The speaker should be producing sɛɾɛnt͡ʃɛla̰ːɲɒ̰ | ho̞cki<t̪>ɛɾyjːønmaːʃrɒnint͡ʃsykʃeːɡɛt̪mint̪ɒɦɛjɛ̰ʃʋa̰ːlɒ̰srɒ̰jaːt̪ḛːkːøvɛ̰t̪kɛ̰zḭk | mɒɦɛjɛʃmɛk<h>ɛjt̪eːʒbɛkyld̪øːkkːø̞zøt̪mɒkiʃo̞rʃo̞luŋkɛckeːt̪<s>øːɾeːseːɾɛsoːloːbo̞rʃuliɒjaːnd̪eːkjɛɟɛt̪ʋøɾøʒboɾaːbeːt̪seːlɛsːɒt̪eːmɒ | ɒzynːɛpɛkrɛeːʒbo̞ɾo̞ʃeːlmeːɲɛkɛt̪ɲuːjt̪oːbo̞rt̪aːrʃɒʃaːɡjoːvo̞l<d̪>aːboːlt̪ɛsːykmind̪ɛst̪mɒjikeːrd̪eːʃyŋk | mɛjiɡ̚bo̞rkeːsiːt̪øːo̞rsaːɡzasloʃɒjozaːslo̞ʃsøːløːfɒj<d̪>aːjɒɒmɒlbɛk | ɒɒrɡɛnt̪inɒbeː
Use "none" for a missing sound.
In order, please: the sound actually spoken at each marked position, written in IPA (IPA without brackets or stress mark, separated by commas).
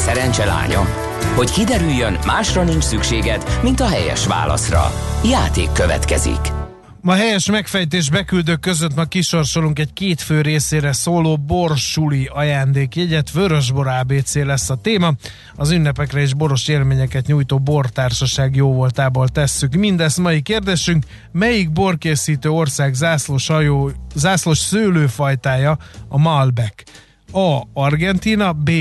d̪, f, f, t̪, t̪